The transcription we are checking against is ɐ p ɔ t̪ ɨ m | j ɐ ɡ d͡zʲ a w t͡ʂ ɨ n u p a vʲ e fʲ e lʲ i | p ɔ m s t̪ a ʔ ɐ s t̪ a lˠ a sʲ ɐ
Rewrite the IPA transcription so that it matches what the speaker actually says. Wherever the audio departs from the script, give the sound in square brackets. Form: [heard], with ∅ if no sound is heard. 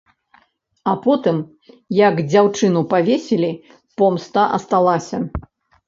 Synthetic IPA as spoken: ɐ p ɔ t̪ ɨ m | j ɐ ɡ d͡zʲ a w t͡ʂ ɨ n u p a vʲ e [sʲ] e lʲ i | p ɔ m s t̪ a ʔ ɐ s t̪ a lˠ a sʲ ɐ